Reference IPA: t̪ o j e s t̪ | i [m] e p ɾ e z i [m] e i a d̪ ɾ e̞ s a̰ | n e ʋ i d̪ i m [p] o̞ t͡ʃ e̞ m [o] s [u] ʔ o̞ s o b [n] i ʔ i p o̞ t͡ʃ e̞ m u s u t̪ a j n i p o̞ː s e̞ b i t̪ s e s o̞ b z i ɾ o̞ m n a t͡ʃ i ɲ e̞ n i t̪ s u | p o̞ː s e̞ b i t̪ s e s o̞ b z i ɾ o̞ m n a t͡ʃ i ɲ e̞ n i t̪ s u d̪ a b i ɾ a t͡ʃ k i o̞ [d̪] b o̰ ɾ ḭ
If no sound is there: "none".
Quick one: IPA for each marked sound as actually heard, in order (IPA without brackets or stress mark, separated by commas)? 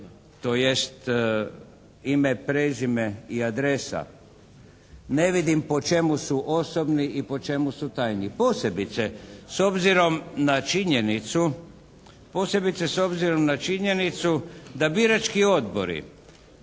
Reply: m, m, p, u, u, n, d̪